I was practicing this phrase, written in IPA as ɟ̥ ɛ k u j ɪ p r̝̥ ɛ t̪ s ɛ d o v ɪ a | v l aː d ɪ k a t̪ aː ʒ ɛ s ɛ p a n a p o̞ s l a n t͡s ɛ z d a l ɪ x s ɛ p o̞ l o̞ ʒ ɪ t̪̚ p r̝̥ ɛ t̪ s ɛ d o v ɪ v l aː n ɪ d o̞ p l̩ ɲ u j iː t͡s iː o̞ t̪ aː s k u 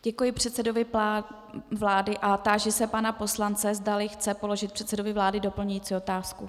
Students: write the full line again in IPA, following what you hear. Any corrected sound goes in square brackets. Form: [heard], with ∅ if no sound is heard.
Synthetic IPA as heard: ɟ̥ ɛ k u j ɪ p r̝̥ ɛ t̪ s ɛ d o v ɪ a | v l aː d ɪ [ʔ] a t̪ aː ʒ ɛ s ɛ p a n a p o̞ s l a n t͡s ɛ z d a l ɪ x [t͡s] ɛ p o̞ l o̞ ʒ ɪ t̪̚ p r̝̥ ɛ t̪ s ɛ d o v ɪ v l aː [d] ɪ d o̞ p l̩ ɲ u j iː t͡s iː o̞ t̪ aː s k u